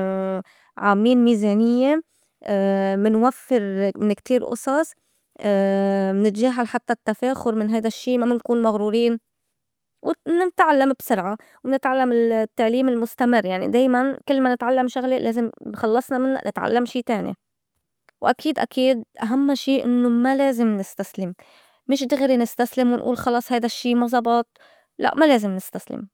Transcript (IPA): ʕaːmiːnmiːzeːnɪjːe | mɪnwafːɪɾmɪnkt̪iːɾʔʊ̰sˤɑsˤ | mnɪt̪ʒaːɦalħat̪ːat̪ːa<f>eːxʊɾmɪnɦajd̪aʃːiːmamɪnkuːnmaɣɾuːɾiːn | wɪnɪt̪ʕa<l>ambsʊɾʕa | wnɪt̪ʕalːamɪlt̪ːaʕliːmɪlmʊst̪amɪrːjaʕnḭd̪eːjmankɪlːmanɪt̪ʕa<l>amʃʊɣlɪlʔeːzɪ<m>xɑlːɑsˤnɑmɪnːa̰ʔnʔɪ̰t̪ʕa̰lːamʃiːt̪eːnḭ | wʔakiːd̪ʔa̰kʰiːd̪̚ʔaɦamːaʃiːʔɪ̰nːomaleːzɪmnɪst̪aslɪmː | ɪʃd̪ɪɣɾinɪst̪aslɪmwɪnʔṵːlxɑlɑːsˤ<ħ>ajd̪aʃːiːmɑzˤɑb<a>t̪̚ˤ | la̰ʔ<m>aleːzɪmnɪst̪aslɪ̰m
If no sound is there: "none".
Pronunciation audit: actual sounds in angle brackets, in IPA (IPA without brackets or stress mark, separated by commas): f, lː, lː, m, h, ɑ, m